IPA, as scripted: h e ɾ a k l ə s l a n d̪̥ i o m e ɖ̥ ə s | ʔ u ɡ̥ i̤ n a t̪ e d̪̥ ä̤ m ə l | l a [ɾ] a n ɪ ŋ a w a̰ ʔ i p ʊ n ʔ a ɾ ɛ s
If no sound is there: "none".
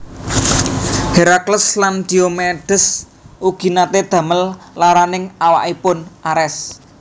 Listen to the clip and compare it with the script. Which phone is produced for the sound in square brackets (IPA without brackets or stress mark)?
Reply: ɾ